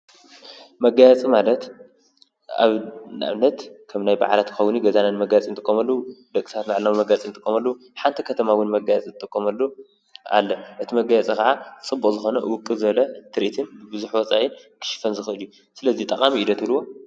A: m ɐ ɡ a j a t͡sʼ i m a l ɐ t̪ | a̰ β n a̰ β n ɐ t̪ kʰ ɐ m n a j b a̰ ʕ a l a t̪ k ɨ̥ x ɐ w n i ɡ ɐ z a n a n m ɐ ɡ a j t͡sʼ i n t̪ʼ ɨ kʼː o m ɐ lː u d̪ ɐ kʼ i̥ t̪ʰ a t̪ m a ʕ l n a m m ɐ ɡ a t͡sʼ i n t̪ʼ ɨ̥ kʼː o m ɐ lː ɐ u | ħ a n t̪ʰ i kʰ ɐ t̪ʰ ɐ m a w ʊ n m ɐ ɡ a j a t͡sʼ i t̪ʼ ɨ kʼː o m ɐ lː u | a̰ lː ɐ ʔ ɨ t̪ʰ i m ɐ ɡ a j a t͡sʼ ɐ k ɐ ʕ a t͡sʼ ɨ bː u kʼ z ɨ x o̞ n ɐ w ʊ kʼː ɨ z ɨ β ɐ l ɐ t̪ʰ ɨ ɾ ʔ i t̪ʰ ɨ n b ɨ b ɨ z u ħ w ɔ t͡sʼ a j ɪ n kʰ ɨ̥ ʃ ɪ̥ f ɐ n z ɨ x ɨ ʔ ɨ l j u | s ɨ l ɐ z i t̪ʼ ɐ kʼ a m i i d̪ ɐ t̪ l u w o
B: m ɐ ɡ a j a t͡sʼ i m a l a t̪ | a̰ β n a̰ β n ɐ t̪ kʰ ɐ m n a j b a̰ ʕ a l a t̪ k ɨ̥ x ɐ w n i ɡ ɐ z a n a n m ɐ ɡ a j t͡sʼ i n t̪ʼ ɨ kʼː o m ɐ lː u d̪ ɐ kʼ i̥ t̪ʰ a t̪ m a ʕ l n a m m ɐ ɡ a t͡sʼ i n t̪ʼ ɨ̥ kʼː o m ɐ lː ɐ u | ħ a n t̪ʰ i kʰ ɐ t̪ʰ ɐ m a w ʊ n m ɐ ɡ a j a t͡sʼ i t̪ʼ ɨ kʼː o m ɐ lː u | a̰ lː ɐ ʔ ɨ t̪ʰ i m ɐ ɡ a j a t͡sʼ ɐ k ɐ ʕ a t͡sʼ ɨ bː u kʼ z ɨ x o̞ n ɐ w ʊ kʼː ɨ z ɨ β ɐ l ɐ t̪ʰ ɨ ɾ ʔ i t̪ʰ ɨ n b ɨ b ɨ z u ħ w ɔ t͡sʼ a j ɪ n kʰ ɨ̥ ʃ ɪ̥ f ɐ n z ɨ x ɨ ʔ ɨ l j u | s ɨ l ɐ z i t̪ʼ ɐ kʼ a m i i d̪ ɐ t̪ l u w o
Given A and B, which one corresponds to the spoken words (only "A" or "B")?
A